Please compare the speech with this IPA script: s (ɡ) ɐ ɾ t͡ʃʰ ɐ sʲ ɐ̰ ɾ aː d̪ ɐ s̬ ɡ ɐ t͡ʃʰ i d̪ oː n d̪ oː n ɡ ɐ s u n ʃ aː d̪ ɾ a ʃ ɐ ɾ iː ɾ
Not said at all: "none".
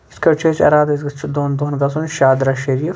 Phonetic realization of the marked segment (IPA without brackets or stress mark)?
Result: k